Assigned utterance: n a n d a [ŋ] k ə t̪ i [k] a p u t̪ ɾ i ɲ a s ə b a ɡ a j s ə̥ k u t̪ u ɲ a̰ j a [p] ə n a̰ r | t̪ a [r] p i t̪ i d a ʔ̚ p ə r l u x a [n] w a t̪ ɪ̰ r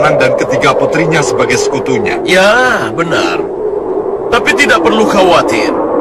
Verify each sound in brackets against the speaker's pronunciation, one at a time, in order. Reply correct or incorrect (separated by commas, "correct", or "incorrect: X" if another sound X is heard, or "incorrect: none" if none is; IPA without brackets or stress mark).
incorrect: n, incorrect: ɡ, incorrect: b, incorrect: none, incorrect: none